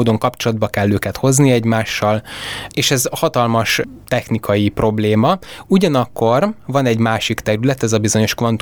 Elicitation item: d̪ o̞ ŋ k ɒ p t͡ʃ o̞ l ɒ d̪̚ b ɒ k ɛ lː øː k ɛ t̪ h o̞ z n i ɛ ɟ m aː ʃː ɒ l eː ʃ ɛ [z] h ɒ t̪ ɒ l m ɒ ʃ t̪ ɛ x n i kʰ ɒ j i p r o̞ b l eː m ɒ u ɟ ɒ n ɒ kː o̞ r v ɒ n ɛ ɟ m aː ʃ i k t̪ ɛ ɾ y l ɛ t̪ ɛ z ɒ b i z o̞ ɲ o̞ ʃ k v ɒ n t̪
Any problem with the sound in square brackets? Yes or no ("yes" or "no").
no